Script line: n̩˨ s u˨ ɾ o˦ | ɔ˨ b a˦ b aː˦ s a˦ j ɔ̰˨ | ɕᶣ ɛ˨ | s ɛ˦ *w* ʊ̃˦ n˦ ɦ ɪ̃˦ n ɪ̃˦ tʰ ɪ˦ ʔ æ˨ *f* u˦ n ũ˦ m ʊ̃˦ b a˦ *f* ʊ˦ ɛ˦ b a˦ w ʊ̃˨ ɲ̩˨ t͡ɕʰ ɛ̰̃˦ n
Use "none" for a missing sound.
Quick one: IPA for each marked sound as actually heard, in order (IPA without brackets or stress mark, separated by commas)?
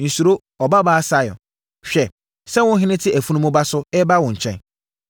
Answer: w, f, s